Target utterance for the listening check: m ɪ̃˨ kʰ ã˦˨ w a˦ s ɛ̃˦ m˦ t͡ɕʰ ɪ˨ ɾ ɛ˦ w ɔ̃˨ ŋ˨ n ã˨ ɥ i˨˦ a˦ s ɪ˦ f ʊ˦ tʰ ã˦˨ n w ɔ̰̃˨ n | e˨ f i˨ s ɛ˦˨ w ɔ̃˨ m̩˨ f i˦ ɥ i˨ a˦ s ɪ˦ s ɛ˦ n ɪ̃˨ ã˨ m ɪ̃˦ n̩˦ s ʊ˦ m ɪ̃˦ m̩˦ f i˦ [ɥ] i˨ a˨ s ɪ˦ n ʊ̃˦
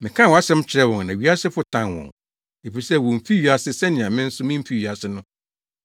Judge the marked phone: correct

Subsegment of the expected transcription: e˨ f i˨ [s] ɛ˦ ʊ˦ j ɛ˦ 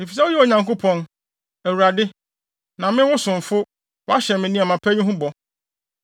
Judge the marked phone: correct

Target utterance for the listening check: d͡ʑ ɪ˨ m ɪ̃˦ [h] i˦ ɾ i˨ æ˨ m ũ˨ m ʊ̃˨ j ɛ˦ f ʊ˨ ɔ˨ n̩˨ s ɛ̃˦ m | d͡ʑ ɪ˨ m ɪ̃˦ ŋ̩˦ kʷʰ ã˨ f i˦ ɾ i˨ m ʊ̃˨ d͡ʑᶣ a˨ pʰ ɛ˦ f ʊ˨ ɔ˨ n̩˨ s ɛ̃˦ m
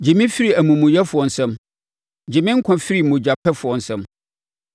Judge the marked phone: incorrect: f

